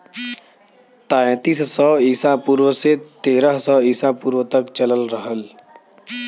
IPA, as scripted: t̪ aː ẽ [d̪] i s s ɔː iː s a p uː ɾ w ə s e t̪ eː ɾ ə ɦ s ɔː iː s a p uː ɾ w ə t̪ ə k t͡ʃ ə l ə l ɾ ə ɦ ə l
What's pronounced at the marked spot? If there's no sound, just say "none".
t̪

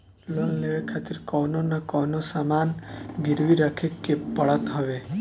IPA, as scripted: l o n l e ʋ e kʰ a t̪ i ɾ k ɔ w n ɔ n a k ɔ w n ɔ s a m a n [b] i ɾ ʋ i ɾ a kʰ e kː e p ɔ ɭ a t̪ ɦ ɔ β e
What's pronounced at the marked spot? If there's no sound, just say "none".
ɡ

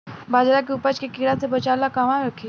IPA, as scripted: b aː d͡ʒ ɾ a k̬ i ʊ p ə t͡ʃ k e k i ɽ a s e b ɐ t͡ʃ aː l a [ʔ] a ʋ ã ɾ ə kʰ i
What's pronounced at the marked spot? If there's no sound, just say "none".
k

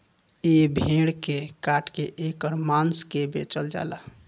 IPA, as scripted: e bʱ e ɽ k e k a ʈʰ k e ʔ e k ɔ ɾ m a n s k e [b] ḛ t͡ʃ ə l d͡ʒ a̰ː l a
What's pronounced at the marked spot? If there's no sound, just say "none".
b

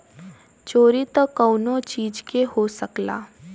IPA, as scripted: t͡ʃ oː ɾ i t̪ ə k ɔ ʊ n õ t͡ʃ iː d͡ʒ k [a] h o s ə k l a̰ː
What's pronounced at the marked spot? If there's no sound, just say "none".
e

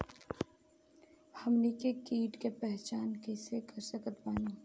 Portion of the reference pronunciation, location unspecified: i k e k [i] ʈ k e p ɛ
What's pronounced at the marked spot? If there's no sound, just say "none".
iː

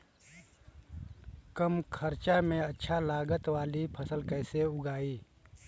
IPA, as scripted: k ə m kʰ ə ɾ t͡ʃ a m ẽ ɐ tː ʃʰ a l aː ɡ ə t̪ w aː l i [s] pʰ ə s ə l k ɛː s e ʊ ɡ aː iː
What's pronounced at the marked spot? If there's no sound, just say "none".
none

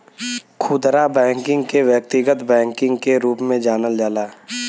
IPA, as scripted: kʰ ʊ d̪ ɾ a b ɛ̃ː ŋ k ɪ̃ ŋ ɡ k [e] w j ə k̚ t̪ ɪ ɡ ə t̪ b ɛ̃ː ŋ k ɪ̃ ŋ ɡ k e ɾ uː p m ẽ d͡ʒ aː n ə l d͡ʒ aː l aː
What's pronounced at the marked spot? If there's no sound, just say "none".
e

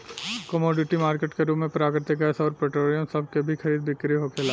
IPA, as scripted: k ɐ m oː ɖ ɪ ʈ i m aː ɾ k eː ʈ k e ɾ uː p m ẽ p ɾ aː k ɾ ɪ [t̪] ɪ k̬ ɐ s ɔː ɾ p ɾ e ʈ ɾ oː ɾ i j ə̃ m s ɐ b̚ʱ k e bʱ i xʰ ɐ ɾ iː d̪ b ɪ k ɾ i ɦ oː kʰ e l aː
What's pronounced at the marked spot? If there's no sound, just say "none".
t̪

